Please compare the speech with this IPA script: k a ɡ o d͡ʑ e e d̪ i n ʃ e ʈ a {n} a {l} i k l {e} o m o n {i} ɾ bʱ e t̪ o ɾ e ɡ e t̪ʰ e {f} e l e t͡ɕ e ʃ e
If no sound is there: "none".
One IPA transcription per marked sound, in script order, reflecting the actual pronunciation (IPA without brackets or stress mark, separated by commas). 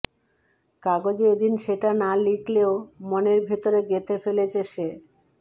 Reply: n, l, e, e, f